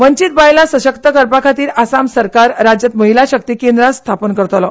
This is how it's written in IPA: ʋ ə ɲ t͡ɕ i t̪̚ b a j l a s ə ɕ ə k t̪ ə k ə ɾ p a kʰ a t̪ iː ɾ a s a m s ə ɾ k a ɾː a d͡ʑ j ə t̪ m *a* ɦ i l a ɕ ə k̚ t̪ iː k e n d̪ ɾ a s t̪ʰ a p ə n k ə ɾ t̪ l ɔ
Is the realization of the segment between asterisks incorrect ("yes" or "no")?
yes